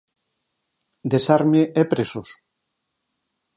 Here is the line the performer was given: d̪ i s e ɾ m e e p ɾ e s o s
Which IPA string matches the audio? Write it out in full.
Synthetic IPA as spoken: d̪ e s a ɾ m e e p ɾ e s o s